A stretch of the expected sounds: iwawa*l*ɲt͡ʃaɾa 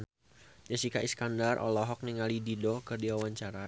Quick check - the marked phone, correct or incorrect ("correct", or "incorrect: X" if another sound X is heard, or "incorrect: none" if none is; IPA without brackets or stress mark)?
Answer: incorrect: none